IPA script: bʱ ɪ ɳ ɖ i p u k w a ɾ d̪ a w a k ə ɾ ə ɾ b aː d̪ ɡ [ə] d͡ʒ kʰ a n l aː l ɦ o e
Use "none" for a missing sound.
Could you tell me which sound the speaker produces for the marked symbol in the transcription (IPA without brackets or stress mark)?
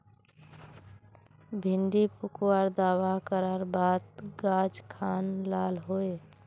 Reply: a